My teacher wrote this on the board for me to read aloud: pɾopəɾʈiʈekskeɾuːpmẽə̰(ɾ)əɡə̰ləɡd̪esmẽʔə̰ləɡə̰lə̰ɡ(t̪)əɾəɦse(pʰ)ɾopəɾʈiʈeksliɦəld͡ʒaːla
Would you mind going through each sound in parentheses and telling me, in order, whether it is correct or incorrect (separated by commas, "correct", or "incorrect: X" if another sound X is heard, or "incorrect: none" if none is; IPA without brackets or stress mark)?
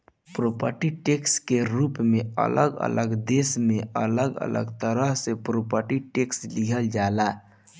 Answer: incorrect: l, correct, incorrect: p